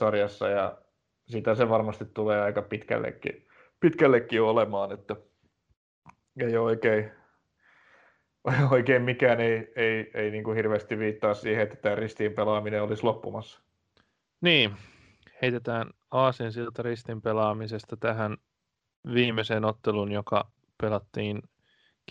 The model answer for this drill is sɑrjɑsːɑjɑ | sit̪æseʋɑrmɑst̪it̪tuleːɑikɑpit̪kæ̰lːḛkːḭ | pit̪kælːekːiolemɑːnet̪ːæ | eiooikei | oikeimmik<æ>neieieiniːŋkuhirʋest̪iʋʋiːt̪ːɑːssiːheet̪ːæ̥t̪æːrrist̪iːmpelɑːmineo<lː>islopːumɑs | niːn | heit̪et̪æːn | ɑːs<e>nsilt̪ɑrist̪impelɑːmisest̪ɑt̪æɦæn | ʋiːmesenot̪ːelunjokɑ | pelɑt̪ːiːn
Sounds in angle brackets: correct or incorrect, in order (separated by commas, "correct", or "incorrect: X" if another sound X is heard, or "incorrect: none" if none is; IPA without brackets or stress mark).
incorrect: æː, incorrect: l, incorrect: i